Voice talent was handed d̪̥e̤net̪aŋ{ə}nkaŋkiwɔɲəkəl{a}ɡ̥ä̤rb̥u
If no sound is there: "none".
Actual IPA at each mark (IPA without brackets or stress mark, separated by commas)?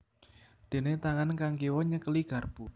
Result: a, i